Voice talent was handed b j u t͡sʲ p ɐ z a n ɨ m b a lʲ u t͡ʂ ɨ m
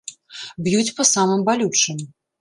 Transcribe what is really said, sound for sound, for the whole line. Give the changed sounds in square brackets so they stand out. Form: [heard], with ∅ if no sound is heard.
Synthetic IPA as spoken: b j u t͡sʲ p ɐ [s] a [m] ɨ m b a lʲ u t͡ʂ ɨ m